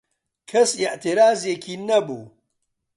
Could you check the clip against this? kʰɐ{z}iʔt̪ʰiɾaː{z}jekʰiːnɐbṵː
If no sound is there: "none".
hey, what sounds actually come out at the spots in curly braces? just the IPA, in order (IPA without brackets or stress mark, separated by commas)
s, z